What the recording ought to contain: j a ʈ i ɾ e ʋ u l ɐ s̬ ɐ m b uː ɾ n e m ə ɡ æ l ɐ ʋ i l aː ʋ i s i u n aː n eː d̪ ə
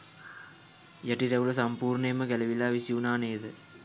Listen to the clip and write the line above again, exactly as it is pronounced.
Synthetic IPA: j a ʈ i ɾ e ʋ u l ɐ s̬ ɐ m p uː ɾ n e m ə ɡ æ l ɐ ʋ i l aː ʋ i s i u n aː n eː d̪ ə